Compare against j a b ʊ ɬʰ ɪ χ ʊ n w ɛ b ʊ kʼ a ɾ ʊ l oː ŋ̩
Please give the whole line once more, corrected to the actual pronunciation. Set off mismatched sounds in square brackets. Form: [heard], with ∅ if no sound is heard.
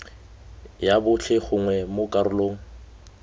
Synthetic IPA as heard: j a b ʊ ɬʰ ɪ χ ʊ [ŋ] w ɛ [m] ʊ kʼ a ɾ ʊ l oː ŋ̩